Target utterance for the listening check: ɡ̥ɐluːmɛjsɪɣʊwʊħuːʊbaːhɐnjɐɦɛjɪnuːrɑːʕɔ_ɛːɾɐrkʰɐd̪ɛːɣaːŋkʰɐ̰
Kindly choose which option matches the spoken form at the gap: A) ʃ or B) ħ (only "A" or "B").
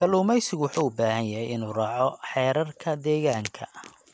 B